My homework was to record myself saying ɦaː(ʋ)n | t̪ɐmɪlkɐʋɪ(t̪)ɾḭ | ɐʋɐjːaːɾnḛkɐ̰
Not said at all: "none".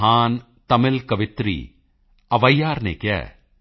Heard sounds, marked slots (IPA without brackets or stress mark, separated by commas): none, t̪